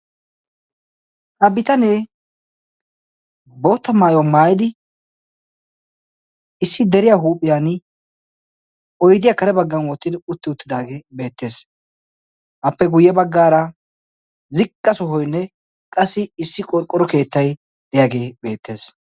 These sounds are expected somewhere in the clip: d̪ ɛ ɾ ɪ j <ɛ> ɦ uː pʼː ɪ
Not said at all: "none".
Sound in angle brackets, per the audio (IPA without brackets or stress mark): a